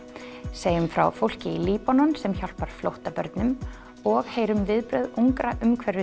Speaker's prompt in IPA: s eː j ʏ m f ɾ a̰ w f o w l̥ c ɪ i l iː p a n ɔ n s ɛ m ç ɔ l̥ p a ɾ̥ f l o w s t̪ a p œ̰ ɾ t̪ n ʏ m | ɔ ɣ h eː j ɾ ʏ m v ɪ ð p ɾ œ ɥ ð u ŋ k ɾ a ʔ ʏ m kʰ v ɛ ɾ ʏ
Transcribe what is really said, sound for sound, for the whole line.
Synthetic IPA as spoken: s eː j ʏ m f ɾ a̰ w f o w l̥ c ɪ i l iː p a n ɔ n s ɛ m ç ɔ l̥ p a ɾ̥ f l o w h t̪ a p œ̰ ɾ t̪ n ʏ m | ɔ ɣ h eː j ɾ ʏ m v ɪ ð p ɾ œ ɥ ð u ŋ k ɾ a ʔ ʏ m kʰ v ɛ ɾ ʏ

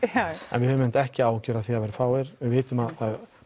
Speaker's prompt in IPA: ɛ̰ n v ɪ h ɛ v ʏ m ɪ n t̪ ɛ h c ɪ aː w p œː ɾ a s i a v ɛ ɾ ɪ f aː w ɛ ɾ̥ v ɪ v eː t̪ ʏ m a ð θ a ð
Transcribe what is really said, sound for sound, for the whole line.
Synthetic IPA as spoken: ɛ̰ n v ɪ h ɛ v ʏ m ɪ n t̪ ɛ h c ɪ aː w c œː ɾ a θ i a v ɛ ɾ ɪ f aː w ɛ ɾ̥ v ɪ v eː t̪ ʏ m a ð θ a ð

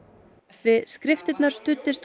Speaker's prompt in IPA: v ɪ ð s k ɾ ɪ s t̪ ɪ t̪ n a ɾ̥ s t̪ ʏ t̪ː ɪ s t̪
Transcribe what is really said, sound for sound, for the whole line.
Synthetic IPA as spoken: v ɪ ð s k ɾ ɪ f t̪ ɪ t̪ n a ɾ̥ s t̪ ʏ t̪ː ɪ s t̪

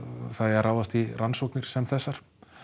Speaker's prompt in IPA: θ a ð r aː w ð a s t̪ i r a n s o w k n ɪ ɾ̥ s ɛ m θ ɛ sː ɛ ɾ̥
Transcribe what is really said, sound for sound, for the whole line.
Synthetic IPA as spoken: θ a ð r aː w ð a s t̪ i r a n s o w k n ɪ ɾ̥ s ɛ m θ ɛ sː a ɾ̥

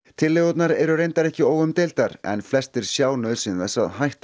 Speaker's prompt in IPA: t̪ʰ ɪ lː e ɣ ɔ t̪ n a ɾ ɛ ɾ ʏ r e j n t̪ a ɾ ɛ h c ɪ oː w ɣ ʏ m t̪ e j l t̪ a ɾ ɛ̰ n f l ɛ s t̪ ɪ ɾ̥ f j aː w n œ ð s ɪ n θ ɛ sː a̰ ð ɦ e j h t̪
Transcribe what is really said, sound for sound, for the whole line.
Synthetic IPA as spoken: t̪ʰ ɪ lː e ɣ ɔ t̪ n a ɾ ɛ ɾ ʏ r e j n t̪ a ɾ ɛ h c ɪ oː w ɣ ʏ m t̪ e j l t̪ a ɾ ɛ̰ n f l ɛ s t̪ ɪ ɾ̥ s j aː w n œ ð s ɪ n θ ɛ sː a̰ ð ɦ a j h t̪

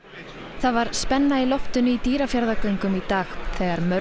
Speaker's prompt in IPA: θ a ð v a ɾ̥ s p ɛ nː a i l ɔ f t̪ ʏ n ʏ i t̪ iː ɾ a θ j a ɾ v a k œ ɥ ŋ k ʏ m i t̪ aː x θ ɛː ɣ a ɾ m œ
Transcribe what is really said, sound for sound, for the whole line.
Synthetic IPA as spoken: θ a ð v a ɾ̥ s p ɛ nː a i l ɔ f t̪ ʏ n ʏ i t̪ iː ɾ a f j a ɾ ð a k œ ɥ ŋ k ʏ m i t̪ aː x θ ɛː ɣ a ɾ m œ

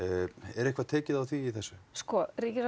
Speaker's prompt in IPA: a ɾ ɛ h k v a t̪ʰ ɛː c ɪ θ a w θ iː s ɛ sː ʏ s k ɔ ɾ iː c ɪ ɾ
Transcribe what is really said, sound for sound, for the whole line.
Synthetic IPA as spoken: ɛ ɾ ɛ h k v a t̪ʰ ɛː c ɪ ð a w θ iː θ ɛ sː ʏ s k ɔ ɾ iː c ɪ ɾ

